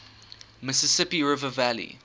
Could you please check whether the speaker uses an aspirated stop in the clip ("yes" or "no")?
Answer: no